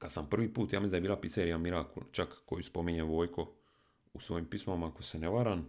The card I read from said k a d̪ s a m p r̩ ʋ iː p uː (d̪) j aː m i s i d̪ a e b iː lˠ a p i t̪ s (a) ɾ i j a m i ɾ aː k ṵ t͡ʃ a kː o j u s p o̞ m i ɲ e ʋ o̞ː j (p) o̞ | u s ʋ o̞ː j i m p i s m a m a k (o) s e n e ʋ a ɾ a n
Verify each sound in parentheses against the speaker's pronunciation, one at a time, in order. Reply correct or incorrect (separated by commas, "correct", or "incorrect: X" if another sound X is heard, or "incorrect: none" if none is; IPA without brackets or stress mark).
incorrect: t̪, incorrect: e, incorrect: k, correct